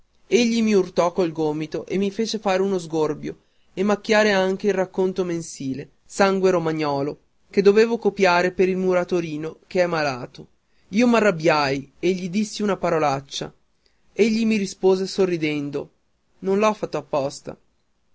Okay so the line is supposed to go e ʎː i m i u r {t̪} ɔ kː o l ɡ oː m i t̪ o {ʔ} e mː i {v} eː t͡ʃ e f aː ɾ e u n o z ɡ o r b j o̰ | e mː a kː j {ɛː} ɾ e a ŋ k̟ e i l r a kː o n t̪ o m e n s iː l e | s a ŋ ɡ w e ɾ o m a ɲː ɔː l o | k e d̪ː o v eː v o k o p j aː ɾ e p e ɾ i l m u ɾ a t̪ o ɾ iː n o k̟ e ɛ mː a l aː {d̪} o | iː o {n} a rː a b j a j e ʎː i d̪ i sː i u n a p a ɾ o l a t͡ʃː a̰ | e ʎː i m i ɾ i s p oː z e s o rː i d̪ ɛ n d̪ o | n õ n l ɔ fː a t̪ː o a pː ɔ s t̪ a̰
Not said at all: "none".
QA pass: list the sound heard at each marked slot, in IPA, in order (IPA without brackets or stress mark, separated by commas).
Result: t̪, ʔ, f, aː, t̪, m